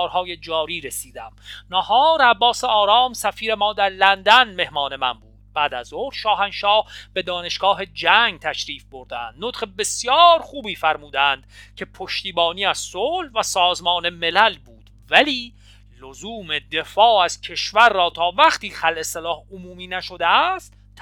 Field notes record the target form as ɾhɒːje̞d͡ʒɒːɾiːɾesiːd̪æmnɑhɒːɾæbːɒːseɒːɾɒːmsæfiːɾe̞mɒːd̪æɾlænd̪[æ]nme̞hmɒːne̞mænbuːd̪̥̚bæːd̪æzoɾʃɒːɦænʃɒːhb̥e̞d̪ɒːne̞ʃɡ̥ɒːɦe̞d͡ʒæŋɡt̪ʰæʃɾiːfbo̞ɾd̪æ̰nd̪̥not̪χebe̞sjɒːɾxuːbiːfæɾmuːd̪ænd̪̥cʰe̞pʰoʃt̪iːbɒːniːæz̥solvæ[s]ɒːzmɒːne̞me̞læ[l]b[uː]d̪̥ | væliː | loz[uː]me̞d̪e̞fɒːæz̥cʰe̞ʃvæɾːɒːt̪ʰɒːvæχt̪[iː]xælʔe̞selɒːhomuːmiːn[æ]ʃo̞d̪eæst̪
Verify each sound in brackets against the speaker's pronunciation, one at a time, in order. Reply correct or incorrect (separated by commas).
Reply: correct, correct, correct, correct, correct, correct, correct